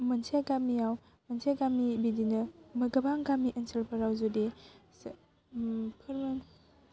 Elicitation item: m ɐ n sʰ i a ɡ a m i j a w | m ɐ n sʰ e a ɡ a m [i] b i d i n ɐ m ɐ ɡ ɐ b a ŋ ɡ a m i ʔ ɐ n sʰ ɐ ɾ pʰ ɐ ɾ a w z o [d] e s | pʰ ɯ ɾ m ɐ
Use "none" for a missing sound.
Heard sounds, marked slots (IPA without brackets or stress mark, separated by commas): i, d